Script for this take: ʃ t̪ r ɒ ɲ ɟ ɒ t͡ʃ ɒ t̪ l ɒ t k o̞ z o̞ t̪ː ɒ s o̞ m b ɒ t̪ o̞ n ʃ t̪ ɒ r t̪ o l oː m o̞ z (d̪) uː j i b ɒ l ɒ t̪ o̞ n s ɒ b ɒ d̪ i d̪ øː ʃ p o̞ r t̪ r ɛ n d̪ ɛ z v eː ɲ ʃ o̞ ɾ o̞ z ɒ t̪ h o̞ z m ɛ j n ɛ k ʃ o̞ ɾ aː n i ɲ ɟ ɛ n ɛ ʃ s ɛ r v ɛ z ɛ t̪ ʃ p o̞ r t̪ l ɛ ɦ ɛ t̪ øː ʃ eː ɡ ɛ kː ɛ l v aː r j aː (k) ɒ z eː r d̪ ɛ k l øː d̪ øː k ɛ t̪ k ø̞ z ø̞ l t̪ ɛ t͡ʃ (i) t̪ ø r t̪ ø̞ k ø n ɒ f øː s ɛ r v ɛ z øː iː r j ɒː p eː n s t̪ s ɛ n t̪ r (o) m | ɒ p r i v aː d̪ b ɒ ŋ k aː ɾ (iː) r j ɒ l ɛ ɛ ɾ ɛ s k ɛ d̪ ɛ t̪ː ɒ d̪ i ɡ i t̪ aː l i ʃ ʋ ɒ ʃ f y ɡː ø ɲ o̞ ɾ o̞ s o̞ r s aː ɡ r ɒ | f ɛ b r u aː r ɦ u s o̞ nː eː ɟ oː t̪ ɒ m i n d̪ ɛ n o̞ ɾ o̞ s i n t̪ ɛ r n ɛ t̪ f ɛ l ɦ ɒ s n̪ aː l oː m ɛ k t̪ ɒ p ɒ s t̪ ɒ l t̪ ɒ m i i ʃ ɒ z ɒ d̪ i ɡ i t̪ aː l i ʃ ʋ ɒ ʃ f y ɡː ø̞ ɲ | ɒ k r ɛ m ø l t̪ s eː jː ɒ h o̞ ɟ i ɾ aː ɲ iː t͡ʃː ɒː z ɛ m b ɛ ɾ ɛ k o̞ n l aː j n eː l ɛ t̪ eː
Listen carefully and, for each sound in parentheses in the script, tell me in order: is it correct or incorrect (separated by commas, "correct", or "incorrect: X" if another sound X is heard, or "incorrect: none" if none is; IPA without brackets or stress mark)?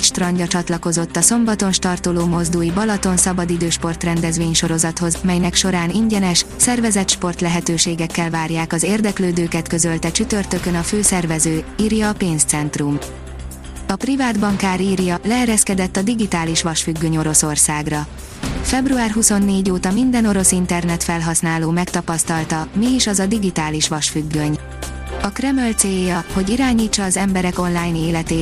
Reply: correct, correct, incorrect: y, incorrect: u, correct